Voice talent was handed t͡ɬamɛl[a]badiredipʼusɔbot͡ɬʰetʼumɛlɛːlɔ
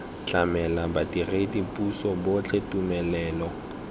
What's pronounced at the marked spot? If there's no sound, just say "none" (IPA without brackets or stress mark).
a